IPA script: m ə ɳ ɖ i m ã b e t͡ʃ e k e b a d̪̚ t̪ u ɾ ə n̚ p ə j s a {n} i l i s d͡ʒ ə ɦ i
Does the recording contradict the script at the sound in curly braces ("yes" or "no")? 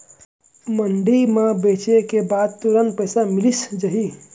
yes